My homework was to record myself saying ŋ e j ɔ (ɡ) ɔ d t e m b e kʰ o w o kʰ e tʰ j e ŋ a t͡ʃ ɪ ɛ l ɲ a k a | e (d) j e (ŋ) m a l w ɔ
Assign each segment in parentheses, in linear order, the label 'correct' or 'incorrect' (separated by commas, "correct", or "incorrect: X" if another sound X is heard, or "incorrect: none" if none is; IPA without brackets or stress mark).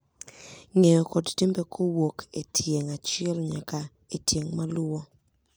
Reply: incorrect: k, incorrect: t, correct